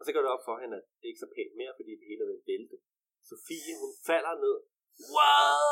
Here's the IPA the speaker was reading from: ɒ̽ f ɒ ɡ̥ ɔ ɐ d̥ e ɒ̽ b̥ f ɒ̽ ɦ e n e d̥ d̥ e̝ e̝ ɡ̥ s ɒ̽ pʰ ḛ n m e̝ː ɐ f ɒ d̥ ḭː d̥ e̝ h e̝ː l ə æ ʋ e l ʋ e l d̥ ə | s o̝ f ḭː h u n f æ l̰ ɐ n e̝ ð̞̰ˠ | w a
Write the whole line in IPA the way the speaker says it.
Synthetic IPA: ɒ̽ s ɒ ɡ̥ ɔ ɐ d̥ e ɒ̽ b̥ f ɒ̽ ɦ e n æ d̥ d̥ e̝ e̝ ɡ̥ s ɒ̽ pʰ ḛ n m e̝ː ɐ f ɒ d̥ ḭː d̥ e̝ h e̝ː l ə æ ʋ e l ʋ e l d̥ ə | s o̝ f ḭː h u n f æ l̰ ɐ n e̝ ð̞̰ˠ | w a